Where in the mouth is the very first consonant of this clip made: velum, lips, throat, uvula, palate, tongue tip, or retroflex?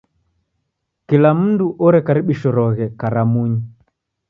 velum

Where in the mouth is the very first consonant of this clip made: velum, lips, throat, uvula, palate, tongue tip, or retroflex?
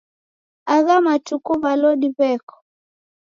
velum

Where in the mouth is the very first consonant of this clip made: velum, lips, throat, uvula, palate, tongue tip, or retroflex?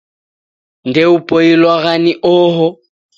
tongue tip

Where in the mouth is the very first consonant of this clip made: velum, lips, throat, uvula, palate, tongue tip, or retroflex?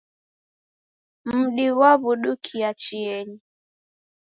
lips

